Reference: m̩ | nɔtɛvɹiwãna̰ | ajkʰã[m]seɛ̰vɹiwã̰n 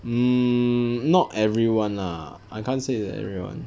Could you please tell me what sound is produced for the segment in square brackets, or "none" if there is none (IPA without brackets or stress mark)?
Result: n